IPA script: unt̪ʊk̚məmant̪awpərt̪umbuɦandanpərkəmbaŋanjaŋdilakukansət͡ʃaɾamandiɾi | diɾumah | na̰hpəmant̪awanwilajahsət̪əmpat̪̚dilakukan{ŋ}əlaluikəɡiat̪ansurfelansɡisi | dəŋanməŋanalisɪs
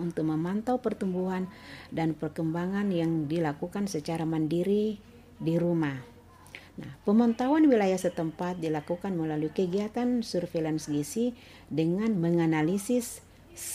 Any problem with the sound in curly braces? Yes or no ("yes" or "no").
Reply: yes